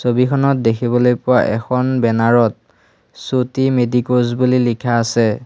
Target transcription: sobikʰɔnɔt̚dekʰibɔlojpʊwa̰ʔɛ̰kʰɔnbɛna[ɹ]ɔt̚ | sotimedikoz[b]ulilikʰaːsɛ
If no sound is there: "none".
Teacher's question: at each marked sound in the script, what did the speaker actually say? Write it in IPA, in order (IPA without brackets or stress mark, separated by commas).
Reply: ɹ, b